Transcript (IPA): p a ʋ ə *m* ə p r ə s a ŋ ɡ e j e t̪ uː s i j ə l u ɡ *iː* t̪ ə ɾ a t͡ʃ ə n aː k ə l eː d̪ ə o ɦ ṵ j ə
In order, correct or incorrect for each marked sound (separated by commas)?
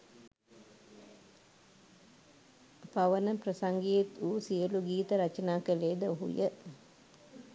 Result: incorrect, correct